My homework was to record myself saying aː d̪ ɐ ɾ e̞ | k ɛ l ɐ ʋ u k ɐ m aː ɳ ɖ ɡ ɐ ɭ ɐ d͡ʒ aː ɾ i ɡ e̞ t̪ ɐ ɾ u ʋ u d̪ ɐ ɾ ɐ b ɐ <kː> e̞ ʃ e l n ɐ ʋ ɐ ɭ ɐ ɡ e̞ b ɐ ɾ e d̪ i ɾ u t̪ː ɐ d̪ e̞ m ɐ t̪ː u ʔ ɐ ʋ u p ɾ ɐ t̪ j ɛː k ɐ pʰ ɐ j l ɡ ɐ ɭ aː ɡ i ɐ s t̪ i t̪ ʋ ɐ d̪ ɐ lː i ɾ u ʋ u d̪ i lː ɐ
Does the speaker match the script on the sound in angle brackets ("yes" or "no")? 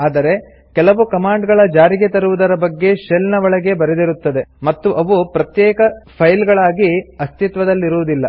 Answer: no